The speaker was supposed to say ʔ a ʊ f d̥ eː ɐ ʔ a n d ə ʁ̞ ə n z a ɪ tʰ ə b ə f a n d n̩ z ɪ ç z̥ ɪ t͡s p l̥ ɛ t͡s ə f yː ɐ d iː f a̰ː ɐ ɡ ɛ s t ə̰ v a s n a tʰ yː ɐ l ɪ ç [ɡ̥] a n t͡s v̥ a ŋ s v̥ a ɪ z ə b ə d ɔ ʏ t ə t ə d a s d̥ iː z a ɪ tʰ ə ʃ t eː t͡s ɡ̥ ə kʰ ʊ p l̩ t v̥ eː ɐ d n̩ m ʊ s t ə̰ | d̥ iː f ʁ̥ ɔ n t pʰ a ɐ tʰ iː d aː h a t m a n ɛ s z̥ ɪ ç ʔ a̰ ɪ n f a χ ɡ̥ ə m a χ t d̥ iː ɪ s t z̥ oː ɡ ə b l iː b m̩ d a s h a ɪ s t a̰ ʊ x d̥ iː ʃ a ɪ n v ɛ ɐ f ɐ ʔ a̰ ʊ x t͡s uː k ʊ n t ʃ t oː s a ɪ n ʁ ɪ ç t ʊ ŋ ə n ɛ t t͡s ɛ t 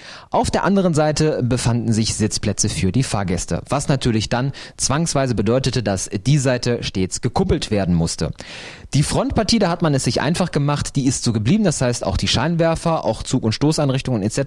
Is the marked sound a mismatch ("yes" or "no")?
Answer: yes